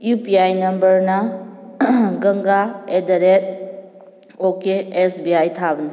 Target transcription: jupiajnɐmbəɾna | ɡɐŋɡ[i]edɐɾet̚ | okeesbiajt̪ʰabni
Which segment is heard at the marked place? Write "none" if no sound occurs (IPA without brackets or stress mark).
a